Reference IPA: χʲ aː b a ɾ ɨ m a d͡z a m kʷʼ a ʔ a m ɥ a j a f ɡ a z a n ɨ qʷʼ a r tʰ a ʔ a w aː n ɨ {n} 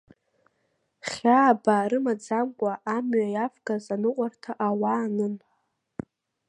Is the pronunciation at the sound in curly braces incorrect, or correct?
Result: correct